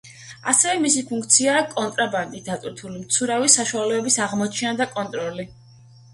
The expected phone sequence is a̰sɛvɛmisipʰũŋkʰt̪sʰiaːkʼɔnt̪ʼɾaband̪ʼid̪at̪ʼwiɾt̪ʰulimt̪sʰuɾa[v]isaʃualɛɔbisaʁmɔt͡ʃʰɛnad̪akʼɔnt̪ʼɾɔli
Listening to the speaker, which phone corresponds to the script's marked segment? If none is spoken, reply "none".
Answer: v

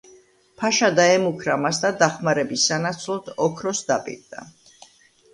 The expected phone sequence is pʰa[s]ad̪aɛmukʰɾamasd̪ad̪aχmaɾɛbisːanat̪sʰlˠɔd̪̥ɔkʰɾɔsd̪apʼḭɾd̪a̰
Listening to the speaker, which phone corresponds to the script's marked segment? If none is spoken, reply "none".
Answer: ʃ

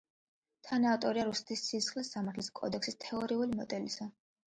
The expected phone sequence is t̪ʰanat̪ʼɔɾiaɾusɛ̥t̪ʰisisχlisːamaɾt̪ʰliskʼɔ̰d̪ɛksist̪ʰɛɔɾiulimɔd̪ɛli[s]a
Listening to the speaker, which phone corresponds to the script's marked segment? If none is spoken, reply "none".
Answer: s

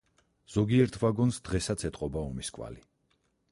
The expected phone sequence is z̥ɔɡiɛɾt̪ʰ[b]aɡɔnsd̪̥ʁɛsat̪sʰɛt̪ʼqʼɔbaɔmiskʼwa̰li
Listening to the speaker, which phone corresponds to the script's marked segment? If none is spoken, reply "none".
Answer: v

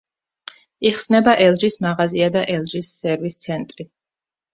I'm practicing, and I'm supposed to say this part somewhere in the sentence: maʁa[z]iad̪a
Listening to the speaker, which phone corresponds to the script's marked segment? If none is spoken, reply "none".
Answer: z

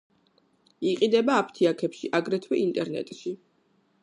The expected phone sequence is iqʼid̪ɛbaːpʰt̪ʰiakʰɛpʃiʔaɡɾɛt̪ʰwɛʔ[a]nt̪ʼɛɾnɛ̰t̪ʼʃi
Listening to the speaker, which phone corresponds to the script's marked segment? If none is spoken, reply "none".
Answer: i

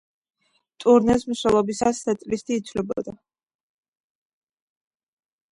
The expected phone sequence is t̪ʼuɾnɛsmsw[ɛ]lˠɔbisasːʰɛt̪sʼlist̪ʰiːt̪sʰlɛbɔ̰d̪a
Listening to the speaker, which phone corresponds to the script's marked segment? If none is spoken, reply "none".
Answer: ɛ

